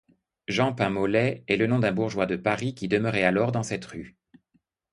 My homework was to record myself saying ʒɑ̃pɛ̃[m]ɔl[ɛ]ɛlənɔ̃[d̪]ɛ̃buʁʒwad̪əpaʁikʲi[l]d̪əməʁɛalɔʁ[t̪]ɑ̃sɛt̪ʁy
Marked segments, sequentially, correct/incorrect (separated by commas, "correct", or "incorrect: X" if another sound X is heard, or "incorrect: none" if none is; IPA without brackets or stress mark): correct, correct, correct, incorrect: none, incorrect: d̪